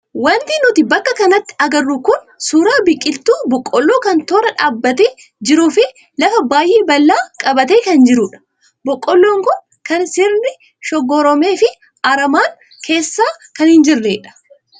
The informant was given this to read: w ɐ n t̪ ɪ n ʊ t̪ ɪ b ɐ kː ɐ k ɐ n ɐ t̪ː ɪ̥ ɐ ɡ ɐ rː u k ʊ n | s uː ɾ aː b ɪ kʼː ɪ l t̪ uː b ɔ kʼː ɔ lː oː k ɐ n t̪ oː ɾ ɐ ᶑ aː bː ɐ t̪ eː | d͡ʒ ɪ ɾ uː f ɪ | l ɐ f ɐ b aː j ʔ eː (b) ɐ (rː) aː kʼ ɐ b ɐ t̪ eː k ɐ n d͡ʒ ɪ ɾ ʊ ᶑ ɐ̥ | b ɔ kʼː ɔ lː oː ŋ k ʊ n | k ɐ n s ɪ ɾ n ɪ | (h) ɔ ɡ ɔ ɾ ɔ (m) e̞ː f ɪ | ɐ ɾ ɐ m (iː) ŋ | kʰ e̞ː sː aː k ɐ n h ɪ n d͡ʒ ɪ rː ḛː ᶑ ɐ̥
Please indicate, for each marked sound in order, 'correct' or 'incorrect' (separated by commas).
correct, incorrect, incorrect, correct, incorrect